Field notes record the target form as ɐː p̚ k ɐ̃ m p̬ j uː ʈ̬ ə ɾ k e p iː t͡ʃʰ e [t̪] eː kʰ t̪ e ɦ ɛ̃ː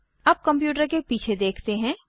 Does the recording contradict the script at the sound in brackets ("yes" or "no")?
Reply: yes